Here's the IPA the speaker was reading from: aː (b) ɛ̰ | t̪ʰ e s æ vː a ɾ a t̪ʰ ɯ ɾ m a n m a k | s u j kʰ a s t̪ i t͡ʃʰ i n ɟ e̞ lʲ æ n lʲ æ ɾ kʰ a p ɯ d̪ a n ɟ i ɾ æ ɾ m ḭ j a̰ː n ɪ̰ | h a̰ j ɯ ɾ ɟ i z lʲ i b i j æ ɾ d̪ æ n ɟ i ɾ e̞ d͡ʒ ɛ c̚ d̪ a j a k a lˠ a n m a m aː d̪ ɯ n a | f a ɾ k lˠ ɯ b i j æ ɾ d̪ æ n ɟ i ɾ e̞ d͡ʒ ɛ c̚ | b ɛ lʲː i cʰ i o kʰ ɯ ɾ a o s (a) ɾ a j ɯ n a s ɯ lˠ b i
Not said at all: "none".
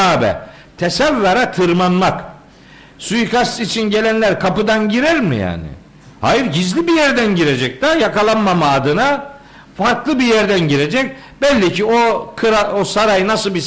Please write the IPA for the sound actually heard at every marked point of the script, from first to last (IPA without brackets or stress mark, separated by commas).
b, a